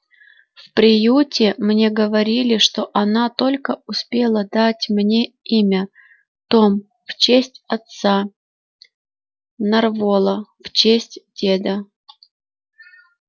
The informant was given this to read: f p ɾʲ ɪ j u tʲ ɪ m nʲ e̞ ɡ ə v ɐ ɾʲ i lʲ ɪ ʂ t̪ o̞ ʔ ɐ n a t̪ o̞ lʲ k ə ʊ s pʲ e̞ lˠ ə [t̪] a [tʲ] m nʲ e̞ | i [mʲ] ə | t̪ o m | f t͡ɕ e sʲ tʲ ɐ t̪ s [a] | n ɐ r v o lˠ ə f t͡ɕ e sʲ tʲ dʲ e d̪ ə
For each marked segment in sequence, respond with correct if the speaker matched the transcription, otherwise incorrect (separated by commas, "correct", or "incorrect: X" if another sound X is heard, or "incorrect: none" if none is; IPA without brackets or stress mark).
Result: incorrect: d̪, correct, correct, correct